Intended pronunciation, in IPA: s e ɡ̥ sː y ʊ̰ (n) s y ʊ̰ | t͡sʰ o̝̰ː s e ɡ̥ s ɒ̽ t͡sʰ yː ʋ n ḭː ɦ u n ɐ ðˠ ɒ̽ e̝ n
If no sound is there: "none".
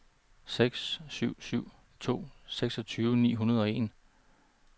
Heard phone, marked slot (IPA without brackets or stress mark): none